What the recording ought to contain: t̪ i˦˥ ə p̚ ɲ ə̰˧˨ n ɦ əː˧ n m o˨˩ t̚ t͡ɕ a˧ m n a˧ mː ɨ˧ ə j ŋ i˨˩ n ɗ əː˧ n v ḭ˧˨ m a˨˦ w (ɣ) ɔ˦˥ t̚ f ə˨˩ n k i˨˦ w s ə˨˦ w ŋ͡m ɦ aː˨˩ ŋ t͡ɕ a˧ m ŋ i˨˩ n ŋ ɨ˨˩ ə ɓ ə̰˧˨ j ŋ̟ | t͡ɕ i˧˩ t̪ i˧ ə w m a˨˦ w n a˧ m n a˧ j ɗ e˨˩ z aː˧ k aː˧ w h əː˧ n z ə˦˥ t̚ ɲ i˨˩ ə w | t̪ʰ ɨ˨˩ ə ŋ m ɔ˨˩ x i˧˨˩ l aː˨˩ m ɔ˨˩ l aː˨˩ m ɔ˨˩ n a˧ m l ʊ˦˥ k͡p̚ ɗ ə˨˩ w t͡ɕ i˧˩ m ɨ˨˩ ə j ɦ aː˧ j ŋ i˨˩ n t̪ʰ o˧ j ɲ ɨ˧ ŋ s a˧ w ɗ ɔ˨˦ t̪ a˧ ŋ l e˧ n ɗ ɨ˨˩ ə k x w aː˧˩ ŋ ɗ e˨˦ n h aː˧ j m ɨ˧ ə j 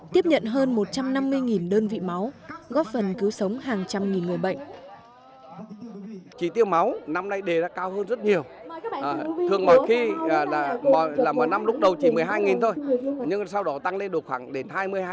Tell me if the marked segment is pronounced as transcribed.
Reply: yes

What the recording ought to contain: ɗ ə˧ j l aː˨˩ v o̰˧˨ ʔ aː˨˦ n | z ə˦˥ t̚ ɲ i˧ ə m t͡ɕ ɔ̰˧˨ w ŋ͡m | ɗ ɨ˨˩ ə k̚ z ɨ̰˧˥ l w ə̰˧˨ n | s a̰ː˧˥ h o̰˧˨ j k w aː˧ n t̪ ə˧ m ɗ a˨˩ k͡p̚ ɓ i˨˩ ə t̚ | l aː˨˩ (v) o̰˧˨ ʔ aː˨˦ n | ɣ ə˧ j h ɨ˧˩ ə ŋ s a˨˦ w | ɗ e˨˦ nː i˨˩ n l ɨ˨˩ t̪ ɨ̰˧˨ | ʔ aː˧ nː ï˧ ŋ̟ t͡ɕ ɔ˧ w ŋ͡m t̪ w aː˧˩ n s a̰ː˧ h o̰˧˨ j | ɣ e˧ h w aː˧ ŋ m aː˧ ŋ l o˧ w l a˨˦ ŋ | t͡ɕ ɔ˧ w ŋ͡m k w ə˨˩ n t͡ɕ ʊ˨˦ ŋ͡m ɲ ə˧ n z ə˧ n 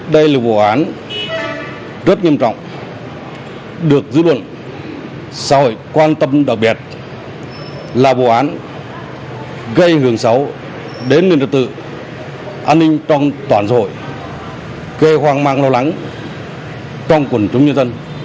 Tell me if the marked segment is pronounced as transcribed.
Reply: yes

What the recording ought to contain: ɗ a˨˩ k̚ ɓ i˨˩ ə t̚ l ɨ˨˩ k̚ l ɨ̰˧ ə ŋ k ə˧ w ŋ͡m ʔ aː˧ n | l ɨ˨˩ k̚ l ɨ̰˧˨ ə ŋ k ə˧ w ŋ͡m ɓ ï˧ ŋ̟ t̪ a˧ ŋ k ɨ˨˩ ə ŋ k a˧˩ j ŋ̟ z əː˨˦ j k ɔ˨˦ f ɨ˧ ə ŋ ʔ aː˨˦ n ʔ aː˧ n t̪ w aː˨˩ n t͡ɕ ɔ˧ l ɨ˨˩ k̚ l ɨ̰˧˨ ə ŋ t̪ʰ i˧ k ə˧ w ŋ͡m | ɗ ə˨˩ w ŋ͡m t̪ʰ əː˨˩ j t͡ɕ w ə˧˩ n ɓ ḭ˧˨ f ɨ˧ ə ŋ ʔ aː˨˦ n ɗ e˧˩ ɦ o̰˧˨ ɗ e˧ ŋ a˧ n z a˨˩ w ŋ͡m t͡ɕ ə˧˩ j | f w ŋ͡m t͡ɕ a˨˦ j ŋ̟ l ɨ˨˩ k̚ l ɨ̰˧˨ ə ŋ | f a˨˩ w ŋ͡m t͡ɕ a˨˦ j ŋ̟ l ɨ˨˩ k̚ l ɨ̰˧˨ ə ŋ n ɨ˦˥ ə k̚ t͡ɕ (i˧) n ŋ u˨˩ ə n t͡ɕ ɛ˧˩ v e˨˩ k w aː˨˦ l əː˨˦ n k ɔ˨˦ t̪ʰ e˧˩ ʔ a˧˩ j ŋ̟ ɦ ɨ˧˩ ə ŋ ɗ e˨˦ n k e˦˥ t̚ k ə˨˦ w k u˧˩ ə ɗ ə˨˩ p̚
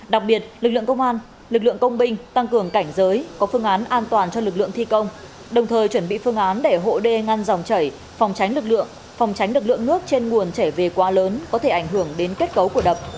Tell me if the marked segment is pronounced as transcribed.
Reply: no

